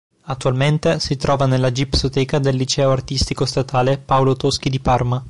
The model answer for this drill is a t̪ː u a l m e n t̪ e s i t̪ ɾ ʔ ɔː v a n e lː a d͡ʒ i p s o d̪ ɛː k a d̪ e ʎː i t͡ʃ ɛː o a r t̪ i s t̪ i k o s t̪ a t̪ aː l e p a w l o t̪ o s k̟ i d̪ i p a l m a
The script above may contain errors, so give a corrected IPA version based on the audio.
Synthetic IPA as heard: a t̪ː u a l m e n t̪ e s i t̪ ɾ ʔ ɔː v a n e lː a d͡ʒ i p s o t̪ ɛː k a d̪ e lː i t͡ʃ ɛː o a r t̪ i s t̪ i k o s t̪ a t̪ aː l e p a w l o t̪ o s k̟ i d̪ i p a r m a